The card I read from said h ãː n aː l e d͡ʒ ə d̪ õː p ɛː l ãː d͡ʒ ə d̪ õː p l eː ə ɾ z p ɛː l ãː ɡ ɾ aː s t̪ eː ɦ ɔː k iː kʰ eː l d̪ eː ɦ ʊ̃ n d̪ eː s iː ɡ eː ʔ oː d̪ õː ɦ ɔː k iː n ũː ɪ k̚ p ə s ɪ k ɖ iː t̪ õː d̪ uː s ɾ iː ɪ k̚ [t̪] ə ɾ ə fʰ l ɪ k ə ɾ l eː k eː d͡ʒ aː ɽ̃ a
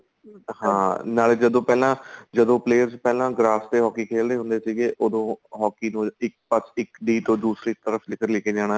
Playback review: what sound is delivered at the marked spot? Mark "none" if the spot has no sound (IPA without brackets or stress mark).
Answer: t̪